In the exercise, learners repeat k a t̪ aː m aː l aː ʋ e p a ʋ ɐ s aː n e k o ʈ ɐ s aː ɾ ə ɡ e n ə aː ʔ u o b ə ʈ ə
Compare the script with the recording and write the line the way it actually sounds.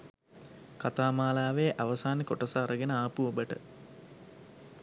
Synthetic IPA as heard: k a t̪ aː m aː l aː ʋ e ʔ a ʋ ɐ s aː n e k o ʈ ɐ s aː ɾ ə ɡ e n ə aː p u o b ə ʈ ə